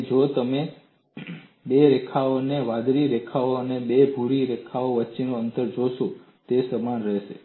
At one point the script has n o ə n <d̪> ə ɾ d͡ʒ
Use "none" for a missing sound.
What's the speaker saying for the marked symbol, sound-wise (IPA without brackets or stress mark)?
t̪